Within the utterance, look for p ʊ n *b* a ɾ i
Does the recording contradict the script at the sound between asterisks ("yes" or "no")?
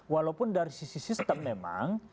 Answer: yes